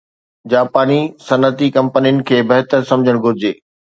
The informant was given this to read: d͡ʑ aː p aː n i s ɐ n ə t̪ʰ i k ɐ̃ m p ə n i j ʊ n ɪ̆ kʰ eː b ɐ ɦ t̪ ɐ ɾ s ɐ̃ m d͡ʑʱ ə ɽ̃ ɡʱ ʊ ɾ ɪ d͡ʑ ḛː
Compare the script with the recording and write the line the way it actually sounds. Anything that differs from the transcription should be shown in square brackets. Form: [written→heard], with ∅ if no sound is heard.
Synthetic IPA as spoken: d͡ʑ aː p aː n i s ɐ n ə [t̪ʰ→t̪] i k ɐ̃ m p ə n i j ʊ n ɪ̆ kʰ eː b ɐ ɦ t̪ [ɐ→ə] ɾ s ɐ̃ m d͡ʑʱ ə ɽ̃ ɡʱ ʊ ɾ ɪ d͡ʑ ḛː